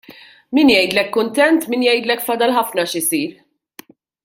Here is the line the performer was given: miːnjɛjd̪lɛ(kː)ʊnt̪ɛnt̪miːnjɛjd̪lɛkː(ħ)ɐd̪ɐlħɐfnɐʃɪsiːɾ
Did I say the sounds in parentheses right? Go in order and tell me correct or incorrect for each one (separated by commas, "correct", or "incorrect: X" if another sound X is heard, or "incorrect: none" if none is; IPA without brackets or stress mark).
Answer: correct, incorrect: f